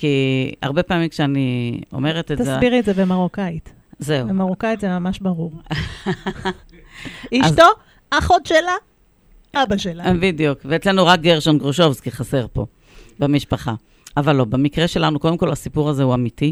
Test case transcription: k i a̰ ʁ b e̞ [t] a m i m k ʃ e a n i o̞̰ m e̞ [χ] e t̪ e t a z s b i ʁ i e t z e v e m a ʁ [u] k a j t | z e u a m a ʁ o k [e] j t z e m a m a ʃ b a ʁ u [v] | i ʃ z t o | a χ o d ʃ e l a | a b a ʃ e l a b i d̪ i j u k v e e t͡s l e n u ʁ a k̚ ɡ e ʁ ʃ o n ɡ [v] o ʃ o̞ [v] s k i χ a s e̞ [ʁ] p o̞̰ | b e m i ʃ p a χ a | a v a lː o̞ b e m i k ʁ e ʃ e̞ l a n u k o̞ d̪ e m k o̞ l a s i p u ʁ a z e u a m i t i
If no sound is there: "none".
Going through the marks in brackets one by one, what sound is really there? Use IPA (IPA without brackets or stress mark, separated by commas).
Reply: p, ʁ, o, a, ʁ, ʁ, v, ʁ